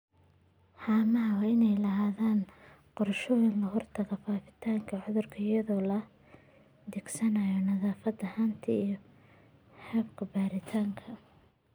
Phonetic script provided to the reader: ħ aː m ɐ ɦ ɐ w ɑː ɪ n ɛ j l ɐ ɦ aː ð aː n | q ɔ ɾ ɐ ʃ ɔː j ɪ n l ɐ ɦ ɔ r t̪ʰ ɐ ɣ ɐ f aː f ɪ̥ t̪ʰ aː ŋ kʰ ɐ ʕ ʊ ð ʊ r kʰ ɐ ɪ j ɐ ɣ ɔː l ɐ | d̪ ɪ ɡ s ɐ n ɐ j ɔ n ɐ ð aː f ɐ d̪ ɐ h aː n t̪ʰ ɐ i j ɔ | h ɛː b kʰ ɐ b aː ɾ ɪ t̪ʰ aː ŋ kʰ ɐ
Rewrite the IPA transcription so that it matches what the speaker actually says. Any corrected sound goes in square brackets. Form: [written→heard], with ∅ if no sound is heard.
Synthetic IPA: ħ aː m ɐ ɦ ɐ w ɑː ɪ n ɛ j l ɐ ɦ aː ð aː n | q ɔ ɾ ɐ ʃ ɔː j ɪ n l ɐ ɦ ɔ r t̪ʰ ɐ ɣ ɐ f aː f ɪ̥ t̪ʰ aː ŋ kʰ ɐ ʕ ʊ ð ʊ r kʰ ɐ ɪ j ɐ [ɣ→ð] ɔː l ɐ | d̪ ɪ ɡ s ɐ n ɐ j ɔ n ɐ ð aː f ɐ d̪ ɐ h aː n t̪ʰ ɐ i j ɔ | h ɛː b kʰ ɐ b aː ɾ ɪ t̪ʰ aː ŋ kʰ ɐ